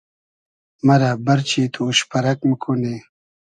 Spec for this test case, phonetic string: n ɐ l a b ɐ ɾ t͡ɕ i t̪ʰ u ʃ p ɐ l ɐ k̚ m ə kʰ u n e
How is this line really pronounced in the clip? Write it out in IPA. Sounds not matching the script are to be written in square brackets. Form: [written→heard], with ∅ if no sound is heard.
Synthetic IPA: [n→m] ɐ [l→ɾ] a b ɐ ɾ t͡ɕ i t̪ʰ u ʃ p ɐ [l→ɾ] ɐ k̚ m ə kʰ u n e